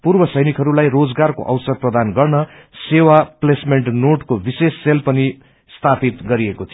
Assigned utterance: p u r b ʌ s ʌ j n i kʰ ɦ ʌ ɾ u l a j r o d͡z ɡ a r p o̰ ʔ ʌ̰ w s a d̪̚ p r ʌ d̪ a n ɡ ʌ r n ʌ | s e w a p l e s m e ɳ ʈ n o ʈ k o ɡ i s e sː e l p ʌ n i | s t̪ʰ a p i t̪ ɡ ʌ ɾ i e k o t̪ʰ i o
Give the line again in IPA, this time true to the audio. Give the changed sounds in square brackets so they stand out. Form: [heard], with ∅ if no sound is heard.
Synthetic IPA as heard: p u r b ʌ s ʌ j n i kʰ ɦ ʌ ɾ u l a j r o d͡z ɡ a r [k] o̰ ʔ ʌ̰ w s [ʌ] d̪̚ p r ʌ d̪ a n ɡ ʌ r n ʌ | s e w a p l e s m e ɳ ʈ n o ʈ k o [b] i s e sː e l p ʌ n i | s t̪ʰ a p i t̪ ɡ ʌ ɾ i e k o t̪ʰ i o